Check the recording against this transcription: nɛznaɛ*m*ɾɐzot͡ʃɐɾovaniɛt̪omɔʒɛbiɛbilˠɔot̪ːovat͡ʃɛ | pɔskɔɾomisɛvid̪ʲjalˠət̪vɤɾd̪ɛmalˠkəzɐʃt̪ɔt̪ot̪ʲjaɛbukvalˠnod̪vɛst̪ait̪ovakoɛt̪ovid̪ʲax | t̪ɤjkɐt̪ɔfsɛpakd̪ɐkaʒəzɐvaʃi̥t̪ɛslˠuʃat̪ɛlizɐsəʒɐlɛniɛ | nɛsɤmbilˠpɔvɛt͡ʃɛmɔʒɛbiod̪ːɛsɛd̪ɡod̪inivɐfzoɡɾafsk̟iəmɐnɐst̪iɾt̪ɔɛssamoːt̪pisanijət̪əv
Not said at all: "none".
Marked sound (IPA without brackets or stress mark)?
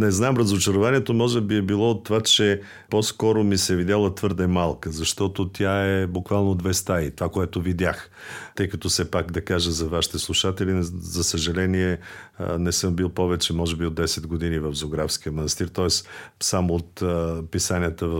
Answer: m